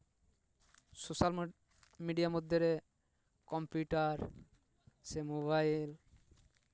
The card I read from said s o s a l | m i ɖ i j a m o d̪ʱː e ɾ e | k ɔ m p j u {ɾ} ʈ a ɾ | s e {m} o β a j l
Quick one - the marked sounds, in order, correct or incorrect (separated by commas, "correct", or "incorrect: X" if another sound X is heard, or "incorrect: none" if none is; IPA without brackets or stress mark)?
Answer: incorrect: none, correct